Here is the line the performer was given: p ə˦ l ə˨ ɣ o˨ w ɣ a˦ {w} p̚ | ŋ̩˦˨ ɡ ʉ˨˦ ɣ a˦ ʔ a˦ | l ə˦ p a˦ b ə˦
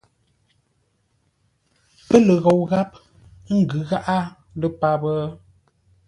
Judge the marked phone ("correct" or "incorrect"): incorrect